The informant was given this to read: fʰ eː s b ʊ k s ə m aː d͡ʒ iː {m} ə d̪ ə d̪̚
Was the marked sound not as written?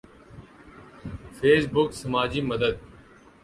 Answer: no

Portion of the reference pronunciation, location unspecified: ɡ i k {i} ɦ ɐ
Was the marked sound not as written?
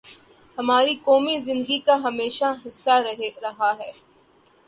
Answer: yes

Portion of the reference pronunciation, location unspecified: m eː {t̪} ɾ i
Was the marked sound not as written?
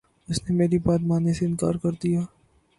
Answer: yes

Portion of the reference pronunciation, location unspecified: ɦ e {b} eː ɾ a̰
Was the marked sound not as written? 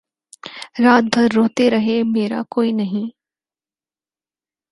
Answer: yes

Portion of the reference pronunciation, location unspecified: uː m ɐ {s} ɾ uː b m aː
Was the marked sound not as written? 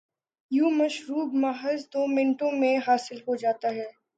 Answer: yes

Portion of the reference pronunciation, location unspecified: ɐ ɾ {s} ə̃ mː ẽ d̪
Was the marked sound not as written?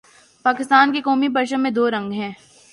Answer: yes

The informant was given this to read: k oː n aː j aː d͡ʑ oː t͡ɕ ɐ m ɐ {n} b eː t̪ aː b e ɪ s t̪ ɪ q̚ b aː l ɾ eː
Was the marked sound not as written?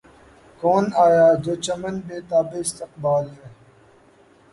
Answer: no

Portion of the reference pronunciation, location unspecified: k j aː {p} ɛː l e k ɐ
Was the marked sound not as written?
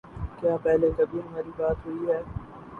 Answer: no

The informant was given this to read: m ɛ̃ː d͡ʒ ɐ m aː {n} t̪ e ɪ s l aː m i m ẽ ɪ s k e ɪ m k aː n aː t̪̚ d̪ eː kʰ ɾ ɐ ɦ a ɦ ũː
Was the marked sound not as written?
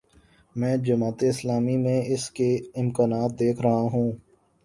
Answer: yes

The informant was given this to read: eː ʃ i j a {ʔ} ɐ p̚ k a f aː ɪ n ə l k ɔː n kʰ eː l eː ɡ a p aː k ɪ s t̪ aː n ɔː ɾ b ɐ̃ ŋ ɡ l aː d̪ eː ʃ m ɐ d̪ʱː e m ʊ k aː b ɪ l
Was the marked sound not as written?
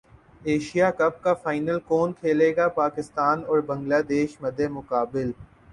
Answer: yes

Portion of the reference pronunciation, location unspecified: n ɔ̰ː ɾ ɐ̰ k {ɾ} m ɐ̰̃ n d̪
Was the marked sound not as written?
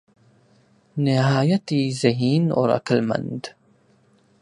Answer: yes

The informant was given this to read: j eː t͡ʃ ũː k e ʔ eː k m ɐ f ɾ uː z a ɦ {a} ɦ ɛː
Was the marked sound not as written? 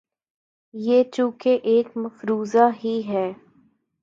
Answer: yes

